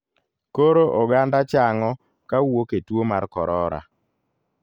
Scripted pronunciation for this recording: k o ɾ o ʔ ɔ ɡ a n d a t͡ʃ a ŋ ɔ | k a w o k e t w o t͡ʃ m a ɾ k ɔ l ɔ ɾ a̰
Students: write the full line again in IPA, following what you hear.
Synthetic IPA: k o ɾ o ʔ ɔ ɡ a n d a t͡ʃ a ŋ ɔ | k a w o k e t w o m a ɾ k ɔ ɾ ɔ ɾ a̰